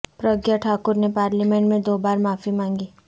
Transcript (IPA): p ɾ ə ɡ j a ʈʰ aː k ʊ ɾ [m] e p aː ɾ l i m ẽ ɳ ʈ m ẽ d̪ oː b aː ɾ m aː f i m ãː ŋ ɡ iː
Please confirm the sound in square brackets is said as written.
no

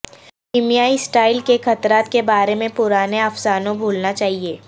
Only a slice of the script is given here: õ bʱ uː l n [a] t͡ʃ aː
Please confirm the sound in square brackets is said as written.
yes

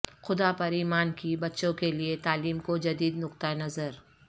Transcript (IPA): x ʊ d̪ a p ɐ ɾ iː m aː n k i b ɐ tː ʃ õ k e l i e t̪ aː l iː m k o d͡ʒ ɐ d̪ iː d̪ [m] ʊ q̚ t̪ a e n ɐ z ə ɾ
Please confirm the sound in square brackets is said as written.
no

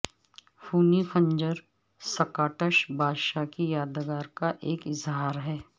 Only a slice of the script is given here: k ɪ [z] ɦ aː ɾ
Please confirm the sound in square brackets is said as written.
yes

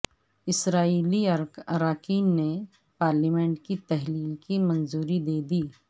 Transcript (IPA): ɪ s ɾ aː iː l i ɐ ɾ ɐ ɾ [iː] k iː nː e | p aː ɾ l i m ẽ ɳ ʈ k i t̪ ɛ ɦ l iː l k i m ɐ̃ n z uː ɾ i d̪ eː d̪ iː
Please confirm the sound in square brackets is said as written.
no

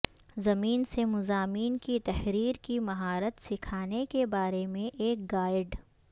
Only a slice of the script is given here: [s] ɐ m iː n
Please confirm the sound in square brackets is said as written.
no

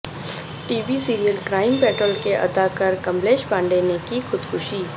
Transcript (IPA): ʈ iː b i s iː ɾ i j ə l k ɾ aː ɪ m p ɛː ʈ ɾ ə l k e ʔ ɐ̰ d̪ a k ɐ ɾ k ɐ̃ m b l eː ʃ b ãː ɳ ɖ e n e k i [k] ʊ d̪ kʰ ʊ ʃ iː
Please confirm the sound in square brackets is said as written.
no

